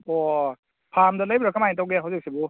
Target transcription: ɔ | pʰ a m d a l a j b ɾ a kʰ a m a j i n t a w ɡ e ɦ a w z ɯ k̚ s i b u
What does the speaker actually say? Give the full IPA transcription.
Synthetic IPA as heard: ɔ | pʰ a m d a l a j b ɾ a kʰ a m a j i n t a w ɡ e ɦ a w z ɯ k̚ s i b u